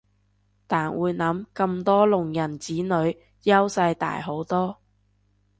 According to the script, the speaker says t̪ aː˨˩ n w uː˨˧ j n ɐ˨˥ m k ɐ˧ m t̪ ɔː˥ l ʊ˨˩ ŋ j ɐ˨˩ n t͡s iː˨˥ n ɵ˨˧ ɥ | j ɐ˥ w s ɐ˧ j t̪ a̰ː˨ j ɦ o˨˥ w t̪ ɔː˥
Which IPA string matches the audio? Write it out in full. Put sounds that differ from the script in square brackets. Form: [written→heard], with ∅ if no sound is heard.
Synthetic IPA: t̪ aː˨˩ n w uː˨˧ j n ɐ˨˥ m k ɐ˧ m t̪ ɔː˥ l ʊ˨˩ ŋ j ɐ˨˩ n t͡s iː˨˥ n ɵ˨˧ ɥ | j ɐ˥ w s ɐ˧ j t̪ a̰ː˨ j ɦ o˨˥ w t̪ ɔː˥